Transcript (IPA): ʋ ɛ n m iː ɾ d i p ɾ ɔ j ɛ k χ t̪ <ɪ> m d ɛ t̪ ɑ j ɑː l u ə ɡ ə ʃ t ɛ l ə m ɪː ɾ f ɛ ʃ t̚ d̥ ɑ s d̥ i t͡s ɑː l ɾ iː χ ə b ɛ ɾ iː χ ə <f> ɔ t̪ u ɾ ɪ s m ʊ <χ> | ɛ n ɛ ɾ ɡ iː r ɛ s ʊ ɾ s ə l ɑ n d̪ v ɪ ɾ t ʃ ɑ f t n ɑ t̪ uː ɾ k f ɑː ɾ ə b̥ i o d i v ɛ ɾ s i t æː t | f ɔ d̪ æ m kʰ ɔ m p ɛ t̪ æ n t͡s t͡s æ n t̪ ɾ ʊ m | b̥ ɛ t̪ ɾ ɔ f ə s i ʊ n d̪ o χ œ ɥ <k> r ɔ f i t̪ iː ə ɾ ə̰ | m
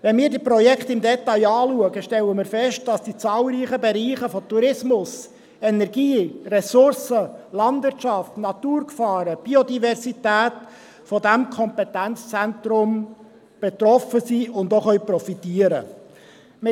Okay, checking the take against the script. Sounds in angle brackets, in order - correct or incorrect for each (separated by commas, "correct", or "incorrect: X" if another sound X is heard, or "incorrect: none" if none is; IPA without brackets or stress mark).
correct, correct, incorrect: s, incorrect: p